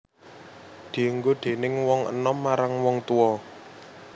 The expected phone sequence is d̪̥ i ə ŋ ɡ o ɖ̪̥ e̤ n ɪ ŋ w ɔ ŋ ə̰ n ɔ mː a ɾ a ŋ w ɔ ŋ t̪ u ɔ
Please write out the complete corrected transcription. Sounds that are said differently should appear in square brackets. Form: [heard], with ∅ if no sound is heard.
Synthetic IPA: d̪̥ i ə ŋ ɡ o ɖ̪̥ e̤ n ɪ ŋ w ɔ ŋ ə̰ n ɔ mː a ɾ a ŋ w ɔ ŋ t̪ u ɔ